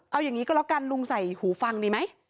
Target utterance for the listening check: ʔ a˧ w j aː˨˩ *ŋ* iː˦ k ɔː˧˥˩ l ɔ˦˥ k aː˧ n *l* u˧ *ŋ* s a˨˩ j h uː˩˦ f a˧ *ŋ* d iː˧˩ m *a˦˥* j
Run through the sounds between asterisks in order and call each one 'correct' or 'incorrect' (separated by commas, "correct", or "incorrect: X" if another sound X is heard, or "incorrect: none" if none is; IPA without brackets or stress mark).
correct, correct, correct, correct, correct